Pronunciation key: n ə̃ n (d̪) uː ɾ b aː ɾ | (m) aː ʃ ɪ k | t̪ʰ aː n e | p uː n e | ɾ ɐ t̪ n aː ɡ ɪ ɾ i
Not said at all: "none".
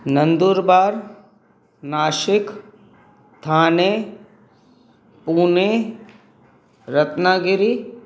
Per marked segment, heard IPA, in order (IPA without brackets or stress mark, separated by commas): d̪, n